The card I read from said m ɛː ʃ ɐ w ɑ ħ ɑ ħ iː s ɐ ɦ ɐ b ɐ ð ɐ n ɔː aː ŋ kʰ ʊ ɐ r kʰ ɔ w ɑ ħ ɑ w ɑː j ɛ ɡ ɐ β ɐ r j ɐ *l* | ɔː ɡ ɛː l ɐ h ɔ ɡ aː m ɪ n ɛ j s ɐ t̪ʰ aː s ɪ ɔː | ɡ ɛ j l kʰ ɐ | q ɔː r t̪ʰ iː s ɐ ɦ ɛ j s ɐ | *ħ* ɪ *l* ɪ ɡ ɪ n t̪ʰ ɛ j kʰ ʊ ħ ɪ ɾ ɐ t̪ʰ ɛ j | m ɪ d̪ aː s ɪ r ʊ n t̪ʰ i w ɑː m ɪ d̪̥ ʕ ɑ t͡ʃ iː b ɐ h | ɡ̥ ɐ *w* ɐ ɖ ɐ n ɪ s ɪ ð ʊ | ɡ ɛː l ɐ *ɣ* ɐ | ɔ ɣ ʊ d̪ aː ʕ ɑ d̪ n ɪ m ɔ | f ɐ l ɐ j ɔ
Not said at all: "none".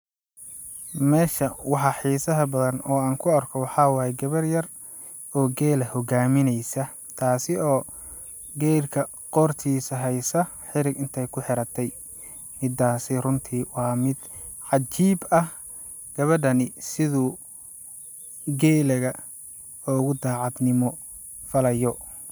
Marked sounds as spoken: r, ħ, ɾ, β, ɣ

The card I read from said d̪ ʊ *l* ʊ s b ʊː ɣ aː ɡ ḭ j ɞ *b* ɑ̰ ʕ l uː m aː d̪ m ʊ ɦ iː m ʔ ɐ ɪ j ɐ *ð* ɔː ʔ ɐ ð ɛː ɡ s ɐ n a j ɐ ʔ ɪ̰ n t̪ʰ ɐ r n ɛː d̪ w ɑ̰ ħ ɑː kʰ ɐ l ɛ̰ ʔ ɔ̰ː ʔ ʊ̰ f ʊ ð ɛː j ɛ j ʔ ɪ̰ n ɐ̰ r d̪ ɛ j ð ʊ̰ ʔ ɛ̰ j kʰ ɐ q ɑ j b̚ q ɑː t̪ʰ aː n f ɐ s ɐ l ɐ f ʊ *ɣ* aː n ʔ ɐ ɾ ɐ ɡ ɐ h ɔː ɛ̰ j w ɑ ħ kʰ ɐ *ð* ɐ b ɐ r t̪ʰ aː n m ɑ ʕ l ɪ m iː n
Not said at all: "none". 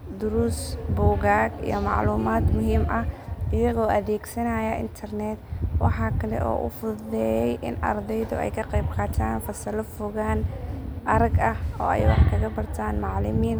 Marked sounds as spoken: ɾ, m, ɣ, ɣ, ɣ

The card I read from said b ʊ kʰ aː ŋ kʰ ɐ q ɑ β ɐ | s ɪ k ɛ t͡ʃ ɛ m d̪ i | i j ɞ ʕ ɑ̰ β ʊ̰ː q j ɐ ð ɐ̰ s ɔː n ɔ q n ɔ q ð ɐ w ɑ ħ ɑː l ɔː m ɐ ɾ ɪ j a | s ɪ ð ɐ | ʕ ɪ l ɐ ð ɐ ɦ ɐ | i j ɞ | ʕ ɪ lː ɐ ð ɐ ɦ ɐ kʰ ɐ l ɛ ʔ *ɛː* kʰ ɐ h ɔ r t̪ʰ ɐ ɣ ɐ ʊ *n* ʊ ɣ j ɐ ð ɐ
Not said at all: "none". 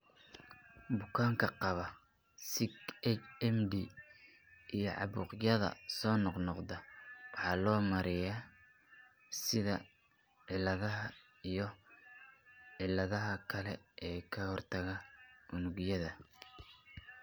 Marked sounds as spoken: ɛː, n

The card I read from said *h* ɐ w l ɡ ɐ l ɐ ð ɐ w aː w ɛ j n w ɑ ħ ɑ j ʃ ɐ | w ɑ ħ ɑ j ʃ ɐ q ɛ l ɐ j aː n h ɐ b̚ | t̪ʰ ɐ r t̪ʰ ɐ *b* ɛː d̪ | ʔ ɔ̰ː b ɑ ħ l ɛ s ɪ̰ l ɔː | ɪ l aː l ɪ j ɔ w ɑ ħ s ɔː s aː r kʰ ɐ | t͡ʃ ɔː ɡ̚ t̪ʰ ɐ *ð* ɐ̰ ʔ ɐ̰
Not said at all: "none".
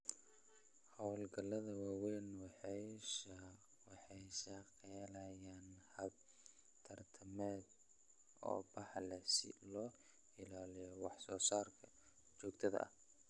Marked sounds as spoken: h, m, ð

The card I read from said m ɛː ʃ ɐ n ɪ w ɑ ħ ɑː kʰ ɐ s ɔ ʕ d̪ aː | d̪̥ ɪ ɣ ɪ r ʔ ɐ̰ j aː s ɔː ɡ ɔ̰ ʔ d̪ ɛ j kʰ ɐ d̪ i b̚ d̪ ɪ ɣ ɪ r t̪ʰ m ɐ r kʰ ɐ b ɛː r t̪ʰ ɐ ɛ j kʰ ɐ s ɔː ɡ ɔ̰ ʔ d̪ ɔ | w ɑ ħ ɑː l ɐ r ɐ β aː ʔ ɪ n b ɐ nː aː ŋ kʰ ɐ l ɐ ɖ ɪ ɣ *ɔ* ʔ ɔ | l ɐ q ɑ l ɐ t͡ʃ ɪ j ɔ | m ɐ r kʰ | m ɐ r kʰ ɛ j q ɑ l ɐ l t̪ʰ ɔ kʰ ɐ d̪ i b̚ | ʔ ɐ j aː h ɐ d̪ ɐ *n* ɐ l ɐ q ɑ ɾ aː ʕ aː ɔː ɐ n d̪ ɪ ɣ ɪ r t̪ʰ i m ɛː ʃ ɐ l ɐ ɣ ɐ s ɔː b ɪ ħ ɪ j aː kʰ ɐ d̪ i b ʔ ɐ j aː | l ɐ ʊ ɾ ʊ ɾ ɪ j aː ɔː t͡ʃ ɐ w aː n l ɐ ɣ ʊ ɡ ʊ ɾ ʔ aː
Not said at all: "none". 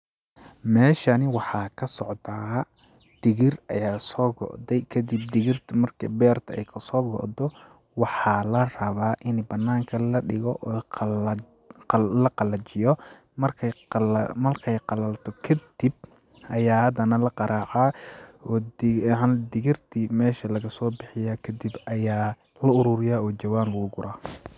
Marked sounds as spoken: ɔ, n

